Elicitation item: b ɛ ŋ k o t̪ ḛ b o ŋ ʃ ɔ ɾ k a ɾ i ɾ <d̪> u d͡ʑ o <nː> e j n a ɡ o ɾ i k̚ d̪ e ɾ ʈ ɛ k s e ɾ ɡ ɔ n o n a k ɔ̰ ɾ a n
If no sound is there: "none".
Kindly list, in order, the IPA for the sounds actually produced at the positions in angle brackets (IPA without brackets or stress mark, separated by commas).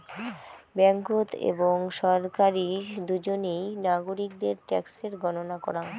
d̪, n